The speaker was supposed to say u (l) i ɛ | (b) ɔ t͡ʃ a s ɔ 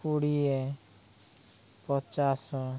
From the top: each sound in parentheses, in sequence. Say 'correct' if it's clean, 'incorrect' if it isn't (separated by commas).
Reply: incorrect, incorrect